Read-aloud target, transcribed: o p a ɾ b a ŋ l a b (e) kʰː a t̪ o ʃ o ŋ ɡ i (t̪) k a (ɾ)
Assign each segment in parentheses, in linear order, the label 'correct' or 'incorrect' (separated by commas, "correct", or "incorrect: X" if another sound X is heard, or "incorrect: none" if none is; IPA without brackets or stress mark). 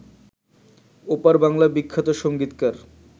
incorrect: i, correct, correct